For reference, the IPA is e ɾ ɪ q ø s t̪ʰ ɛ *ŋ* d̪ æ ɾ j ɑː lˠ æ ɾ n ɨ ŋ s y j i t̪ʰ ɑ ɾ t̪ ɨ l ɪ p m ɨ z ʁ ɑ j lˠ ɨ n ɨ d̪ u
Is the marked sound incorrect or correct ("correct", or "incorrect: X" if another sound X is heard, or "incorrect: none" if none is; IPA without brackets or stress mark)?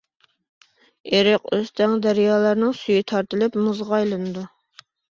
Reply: correct